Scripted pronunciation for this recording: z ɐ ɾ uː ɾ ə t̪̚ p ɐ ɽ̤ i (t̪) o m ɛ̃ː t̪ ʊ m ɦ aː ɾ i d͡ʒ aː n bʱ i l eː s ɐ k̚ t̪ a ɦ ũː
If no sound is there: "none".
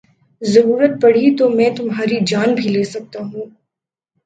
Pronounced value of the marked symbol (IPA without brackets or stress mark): t̪